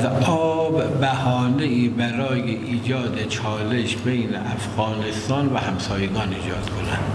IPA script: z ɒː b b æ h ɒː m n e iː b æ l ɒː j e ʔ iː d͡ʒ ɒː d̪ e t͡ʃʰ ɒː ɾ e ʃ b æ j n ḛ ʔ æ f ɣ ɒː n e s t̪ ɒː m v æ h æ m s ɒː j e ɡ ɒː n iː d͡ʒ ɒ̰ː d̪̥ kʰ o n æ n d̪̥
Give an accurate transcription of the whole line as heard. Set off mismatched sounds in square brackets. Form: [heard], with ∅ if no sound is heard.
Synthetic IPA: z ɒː b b æ h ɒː [∅] n e iː b æ [ɾ] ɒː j e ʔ iː d͡ʒ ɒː d̪ e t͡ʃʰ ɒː [l] e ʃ b [e] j n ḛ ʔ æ f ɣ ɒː n e s t̪ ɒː [n] v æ h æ m s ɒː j e ɡ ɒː n iː d͡ʒ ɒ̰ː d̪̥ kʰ o n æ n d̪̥